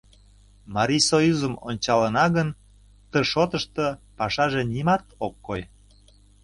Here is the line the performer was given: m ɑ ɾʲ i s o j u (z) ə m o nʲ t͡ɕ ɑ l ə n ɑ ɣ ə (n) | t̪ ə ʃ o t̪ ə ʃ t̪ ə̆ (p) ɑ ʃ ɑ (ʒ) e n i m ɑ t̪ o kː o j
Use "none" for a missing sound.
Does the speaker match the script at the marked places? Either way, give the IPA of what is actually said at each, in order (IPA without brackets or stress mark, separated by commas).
z, n, p, ʒ